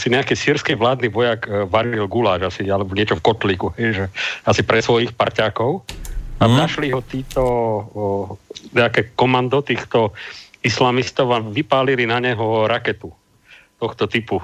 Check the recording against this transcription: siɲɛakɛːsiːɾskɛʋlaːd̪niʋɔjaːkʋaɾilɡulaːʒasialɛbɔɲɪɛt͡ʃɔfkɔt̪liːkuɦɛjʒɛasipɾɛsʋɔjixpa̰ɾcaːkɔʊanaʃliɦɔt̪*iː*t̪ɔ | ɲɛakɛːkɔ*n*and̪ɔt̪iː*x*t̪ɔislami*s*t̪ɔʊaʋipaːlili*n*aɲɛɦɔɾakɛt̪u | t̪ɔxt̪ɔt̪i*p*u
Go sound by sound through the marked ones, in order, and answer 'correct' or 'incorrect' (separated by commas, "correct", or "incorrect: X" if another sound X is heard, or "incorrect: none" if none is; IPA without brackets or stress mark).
correct, incorrect: m, correct, correct, correct, correct